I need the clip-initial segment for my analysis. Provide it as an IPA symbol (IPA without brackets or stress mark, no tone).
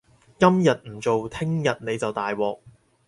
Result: k